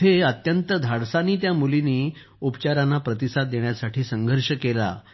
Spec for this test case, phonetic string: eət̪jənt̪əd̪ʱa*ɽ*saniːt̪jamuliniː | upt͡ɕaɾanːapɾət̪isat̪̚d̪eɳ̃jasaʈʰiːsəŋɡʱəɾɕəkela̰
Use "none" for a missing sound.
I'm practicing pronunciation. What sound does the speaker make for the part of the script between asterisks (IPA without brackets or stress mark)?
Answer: ɽ